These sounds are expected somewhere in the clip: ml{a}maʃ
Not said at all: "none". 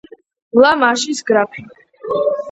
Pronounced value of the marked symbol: a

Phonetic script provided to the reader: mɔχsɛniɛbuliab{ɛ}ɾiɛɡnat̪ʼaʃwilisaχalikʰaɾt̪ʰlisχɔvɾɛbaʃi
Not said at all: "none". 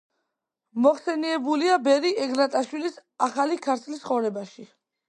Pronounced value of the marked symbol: ɛ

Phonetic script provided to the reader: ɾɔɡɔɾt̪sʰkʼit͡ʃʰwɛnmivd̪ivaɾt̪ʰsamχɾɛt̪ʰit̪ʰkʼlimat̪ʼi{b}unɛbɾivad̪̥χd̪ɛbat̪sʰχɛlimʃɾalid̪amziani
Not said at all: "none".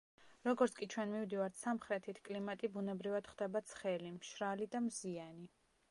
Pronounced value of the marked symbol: b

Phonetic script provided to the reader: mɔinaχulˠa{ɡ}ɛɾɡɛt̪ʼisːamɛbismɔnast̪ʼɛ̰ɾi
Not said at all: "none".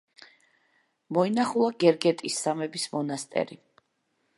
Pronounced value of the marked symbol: ɡ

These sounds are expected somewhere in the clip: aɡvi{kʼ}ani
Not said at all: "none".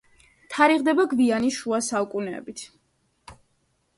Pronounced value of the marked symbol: none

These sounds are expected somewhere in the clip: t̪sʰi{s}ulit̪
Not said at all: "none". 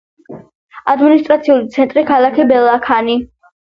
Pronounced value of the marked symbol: none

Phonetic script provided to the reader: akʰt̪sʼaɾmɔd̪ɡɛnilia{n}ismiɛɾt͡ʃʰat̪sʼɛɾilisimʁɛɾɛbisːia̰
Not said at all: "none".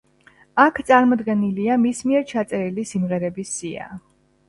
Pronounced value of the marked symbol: m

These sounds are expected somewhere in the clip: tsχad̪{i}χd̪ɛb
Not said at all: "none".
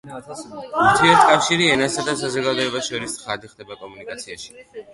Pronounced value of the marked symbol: i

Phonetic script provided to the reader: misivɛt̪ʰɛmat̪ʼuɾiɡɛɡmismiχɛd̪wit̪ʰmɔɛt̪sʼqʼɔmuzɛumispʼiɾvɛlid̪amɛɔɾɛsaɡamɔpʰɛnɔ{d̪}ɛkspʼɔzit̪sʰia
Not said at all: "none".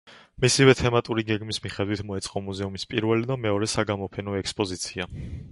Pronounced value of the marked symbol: none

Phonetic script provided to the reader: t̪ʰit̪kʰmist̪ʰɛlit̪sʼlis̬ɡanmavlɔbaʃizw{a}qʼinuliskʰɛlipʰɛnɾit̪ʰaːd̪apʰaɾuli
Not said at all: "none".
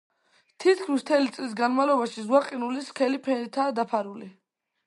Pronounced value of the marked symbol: a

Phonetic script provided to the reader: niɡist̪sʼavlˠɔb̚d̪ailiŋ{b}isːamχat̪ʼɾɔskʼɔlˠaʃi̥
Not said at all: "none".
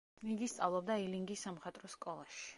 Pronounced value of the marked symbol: ɡ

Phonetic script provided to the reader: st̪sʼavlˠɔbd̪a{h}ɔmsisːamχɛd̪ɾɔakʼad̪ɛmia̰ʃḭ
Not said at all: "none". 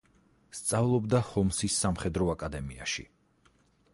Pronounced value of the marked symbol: h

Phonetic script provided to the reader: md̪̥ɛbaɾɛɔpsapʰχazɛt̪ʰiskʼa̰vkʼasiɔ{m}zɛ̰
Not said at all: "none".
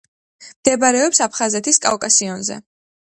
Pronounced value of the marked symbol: n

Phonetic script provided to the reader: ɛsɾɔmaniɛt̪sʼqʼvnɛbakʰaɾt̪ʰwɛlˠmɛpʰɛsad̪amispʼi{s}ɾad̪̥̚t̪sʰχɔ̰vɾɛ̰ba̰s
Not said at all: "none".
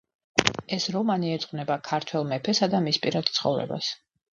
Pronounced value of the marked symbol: none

